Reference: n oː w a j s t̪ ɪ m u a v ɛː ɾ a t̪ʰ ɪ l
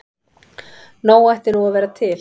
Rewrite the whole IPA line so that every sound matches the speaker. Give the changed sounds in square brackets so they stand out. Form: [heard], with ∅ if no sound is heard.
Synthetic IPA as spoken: n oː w a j [h] t̪ ɪ [n] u a v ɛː ɾ a t̪ʰ ɪ l